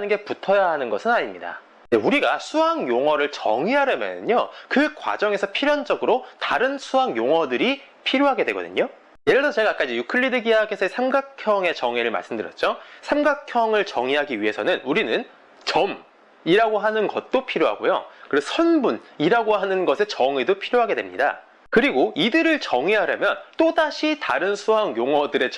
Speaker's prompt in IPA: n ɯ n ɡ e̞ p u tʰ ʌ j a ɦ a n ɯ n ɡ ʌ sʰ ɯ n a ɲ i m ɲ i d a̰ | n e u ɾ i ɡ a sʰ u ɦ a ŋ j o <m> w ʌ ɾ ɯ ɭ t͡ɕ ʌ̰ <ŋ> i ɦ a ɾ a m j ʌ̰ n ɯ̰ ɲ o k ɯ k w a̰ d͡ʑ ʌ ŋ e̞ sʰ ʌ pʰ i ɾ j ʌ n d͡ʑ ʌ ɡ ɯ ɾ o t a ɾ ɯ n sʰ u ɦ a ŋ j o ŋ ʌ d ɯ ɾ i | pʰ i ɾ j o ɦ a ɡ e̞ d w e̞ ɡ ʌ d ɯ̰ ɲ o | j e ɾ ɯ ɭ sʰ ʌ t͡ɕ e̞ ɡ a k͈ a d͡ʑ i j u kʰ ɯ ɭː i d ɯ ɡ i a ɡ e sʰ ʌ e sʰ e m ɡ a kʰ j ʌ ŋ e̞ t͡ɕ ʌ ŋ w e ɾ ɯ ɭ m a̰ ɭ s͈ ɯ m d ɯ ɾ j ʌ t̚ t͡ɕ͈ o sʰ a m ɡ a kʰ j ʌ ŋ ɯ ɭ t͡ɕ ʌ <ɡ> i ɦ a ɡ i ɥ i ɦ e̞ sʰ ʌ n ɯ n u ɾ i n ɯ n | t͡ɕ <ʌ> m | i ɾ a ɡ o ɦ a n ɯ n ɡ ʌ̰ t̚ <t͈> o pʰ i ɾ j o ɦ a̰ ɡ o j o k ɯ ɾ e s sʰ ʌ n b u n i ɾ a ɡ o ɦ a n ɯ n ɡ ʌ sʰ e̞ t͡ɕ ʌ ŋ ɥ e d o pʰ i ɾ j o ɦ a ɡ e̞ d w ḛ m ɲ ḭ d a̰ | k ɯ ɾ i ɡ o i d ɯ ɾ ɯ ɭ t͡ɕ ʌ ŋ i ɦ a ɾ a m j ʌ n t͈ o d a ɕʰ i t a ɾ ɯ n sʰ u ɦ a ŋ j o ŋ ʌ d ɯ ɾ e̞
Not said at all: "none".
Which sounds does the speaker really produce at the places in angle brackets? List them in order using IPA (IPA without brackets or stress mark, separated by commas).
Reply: ŋ, ŋ, ŋ, ʌ, t͈